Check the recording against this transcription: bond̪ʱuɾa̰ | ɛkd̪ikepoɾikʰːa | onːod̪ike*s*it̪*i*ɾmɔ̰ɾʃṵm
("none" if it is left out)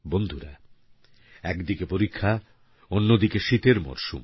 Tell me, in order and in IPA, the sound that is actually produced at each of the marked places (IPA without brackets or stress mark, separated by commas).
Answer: ʃ, e